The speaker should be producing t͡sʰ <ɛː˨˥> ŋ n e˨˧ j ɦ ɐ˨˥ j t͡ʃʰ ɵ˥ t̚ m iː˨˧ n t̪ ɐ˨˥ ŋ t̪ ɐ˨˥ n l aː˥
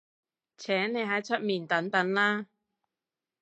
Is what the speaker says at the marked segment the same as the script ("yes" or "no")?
yes